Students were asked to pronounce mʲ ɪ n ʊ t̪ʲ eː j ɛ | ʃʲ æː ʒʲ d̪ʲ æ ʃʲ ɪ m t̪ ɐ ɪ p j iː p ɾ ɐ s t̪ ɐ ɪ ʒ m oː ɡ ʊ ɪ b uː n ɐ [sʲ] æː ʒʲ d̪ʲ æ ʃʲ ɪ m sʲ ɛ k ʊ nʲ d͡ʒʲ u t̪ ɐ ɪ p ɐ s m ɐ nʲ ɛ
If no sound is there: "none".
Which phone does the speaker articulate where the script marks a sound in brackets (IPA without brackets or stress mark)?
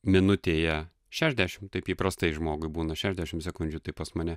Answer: ʃʲ